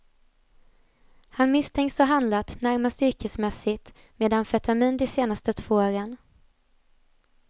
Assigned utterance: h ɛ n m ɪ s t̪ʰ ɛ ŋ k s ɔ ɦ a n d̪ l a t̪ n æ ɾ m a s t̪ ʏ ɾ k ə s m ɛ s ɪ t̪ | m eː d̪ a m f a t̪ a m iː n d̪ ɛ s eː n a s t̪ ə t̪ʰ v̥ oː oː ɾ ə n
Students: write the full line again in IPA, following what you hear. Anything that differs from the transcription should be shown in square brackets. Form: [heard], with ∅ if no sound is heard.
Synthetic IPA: h [a] n m ɪ s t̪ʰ ɛ ŋ k s ɔ ɦ a n d̪ l a t̪ n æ ɾ m a s t̪ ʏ ɾ k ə s m ɛ s ɪ t̪ | m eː d̪ a [n] f [ɛ] t̪ a m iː n d̪ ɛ s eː n a s t̪ ə t̪ʰ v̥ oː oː ɾ ə n